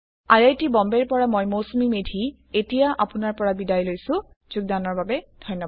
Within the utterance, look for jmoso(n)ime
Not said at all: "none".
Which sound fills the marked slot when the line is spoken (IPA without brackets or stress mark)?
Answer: m